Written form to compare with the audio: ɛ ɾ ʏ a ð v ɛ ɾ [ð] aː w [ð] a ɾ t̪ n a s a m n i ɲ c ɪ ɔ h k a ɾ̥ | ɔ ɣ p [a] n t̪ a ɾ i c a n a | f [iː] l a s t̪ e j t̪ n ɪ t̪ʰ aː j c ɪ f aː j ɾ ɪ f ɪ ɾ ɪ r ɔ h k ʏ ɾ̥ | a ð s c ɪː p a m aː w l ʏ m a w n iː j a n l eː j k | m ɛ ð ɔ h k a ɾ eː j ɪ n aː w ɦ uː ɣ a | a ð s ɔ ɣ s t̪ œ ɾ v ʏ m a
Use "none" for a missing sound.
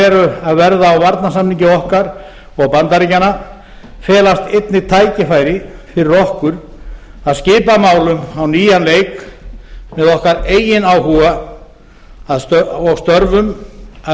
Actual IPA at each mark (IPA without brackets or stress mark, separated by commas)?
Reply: ð, v, a, ɛː